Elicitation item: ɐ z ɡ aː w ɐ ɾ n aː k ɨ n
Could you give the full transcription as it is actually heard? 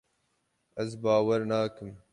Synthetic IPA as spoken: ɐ z b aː w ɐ ɾ n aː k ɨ m